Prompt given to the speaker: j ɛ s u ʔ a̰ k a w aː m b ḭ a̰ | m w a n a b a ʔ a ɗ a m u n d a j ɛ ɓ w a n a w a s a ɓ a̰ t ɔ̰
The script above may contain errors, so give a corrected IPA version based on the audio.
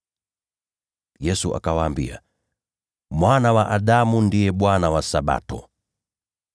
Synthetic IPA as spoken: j ɛ s u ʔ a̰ k a w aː m b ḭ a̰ | m w a n a w a ʔ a ɗ a m u n d i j ɛ ɓ w a n a w a s a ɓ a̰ t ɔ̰

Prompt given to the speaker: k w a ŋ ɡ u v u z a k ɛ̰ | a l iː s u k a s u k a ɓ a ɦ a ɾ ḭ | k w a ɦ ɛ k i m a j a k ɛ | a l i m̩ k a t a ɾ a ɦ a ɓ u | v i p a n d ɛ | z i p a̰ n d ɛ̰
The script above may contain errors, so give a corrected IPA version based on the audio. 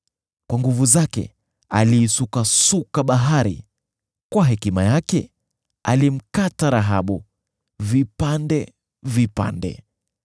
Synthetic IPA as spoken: k w a ŋ ɡ u v u z a k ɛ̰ | a l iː s u k a s u k a ɓ a ɦ a ɾ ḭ | k w a ɦ ɛ k i m a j a k ɛ | a l i m̩ k a t a ɾ a ɦ a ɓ u | v i p a n d ɛ | v i p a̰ n d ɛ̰

